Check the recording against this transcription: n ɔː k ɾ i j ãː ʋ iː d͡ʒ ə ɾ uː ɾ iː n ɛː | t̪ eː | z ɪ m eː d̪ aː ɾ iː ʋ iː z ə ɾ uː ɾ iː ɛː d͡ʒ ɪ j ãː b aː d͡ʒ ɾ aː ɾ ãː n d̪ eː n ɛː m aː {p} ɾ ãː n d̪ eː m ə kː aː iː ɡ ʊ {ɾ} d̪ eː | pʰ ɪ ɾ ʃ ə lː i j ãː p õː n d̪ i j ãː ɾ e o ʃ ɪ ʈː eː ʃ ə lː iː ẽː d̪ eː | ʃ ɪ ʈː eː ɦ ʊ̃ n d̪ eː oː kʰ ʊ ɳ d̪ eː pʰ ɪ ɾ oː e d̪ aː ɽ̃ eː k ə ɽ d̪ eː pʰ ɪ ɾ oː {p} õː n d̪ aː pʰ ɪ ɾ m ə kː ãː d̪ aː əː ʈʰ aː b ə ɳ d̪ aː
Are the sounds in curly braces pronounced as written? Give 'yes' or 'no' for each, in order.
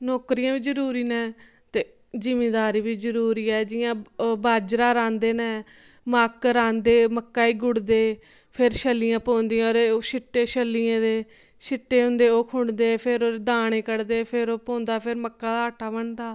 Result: no, no, yes

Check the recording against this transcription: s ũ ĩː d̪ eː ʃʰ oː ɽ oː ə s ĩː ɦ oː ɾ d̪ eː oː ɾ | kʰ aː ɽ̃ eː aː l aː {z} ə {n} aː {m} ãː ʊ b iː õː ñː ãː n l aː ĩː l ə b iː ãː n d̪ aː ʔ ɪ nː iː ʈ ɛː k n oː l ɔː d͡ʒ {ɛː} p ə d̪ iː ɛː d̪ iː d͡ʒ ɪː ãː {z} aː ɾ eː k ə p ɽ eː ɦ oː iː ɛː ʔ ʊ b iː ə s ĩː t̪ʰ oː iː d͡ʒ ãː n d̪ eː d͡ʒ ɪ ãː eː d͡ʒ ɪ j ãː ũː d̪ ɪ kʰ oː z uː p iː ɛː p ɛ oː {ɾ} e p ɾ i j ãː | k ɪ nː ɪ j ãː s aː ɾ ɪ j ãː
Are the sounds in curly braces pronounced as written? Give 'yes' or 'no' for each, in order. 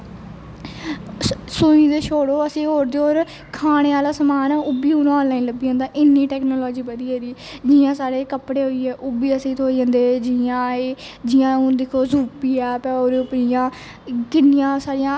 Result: no, no, no, no, no, yes

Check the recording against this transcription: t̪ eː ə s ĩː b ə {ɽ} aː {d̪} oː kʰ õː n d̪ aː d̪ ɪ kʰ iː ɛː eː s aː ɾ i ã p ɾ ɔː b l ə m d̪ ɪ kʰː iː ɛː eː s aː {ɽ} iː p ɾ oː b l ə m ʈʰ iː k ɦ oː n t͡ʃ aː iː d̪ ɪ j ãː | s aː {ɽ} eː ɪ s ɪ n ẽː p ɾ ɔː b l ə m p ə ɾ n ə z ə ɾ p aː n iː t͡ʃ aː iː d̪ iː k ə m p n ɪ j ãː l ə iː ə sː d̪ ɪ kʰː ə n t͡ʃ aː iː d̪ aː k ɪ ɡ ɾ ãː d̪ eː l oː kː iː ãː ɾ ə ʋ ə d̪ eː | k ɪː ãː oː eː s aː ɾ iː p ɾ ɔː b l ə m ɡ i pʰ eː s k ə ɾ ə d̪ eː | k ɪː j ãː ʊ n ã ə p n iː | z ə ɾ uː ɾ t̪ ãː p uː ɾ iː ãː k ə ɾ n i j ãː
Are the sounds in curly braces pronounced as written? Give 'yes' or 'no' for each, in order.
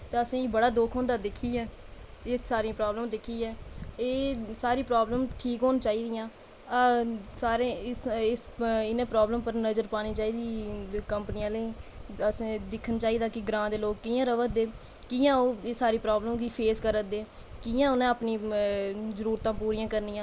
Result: yes, yes, no, no

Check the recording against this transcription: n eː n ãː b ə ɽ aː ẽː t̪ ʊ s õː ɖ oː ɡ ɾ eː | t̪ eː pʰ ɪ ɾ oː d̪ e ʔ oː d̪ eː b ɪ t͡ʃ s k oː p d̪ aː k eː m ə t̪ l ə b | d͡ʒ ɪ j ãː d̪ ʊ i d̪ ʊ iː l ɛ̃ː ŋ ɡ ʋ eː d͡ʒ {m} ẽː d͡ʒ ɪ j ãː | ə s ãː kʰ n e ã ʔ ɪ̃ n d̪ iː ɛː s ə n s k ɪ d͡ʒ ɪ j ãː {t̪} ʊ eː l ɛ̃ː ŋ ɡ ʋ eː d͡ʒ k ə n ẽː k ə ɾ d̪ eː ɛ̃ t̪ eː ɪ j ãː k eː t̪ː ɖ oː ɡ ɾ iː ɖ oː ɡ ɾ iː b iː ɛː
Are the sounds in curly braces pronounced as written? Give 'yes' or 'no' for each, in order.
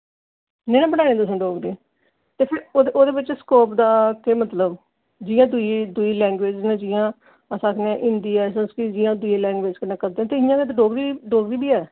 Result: no, no

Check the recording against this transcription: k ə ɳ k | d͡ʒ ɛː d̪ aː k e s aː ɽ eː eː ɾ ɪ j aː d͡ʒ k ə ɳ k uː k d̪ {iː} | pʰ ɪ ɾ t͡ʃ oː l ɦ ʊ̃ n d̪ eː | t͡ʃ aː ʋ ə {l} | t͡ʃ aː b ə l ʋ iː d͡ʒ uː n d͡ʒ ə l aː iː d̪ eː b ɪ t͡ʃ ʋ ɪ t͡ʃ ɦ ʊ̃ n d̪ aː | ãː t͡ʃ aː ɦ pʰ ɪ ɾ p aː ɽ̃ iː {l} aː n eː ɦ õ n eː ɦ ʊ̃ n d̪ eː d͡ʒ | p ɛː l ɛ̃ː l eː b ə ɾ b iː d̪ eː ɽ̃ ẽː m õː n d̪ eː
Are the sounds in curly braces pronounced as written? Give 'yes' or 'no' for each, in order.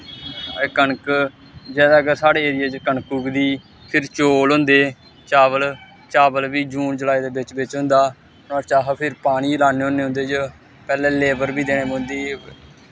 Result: yes, yes, yes

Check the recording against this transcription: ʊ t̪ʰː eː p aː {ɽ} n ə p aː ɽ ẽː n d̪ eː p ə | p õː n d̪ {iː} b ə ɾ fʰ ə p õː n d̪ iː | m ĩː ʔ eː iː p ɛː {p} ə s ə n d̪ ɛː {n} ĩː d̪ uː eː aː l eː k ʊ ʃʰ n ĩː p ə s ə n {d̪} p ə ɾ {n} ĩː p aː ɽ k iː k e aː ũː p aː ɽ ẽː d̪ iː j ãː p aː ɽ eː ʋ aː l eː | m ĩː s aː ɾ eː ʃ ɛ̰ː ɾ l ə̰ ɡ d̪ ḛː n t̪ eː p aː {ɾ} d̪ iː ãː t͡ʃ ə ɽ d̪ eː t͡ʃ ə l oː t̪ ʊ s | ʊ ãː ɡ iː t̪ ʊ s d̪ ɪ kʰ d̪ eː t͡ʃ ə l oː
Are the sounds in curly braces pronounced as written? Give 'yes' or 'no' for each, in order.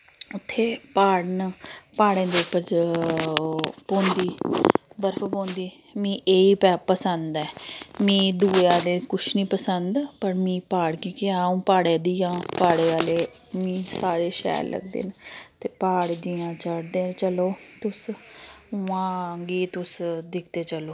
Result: yes, yes, yes, no, yes, no, no

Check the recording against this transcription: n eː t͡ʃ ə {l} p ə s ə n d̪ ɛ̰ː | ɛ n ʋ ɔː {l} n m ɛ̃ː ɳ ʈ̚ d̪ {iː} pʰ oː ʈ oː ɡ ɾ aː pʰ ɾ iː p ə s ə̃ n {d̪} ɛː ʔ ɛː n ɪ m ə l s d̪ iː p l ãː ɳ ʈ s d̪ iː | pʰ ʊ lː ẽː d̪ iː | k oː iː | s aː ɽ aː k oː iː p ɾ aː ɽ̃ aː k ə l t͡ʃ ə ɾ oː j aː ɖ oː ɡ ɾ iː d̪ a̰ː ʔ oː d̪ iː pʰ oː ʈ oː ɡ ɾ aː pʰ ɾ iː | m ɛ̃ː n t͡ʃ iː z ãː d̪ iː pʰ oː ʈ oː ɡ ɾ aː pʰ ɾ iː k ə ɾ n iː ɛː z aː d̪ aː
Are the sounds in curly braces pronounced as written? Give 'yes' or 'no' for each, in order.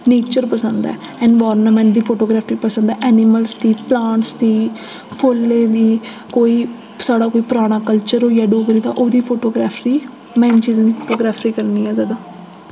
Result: no, no, yes, yes

